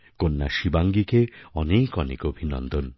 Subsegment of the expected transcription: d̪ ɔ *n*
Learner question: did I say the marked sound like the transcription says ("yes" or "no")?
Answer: yes